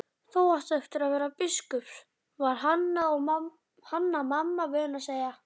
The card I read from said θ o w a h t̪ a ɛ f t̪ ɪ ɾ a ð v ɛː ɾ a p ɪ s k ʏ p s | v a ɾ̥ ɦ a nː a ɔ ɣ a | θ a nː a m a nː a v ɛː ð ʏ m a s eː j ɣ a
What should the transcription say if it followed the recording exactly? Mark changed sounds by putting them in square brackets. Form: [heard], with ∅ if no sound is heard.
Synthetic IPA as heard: θ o w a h t̪ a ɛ f t̪ ɪ ɾ a ð v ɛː ɾ a p ɪ s k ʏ p s | v a ɾ̥ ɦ a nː a ɔ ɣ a | [h] a nː a m a [mː] a v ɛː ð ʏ [n] a s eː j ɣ a